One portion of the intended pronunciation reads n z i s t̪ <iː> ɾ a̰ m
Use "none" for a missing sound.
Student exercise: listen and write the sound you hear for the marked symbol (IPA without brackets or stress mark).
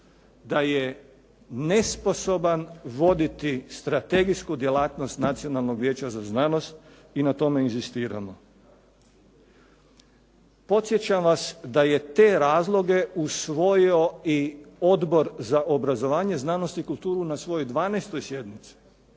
iː